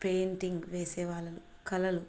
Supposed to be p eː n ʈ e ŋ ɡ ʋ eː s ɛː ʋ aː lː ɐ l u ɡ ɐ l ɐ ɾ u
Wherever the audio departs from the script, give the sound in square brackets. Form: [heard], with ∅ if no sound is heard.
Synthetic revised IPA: p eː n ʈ [i] ŋ ɡ ʋ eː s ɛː ʋ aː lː ɐ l u [k] ɐ l ɐ [l] u